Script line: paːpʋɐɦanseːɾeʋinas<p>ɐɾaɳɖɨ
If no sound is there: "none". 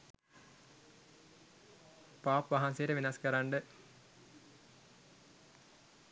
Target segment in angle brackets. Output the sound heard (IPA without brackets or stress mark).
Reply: k